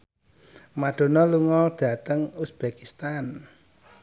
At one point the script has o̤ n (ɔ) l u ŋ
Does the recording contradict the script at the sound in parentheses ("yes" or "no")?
no